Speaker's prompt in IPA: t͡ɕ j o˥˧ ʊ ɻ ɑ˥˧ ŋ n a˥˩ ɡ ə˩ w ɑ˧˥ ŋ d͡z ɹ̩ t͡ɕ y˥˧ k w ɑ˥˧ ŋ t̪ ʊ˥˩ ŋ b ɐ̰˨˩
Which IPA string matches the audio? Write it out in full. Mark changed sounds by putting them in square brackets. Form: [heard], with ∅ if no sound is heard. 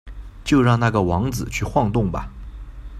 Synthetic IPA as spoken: t͡ɕ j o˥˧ ʊ ɻ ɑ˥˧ ŋ n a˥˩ ɡ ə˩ w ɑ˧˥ ŋ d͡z ɹ̩ [t͡ɕʰ] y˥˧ [x] w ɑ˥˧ ŋ t̪ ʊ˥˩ ŋ b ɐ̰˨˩